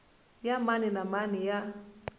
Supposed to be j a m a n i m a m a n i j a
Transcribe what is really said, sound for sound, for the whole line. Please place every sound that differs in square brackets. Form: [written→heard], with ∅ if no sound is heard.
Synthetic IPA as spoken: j a m a n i [m→n] a m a n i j a